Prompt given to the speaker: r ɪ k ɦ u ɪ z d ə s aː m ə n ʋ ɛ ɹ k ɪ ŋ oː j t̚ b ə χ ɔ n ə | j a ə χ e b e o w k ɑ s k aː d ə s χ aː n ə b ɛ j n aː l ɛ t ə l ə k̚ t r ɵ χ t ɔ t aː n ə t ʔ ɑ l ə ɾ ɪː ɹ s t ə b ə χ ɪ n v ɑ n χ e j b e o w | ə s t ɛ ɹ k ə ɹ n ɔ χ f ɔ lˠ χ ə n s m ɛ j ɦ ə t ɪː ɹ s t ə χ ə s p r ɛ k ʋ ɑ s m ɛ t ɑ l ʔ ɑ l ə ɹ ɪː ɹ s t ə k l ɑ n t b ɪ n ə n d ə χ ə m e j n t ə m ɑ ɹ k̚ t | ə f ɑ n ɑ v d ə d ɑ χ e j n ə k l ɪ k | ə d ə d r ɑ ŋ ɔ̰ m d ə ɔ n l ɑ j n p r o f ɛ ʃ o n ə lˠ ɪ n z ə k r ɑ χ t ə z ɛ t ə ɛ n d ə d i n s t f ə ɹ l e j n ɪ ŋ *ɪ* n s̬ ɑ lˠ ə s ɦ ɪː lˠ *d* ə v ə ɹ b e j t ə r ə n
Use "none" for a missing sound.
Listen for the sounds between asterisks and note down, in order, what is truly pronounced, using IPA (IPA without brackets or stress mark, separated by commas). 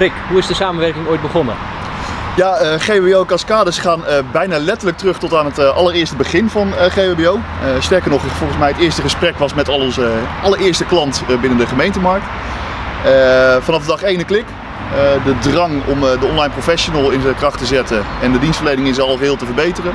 ɪ, t